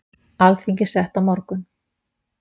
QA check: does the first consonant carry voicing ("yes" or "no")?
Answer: yes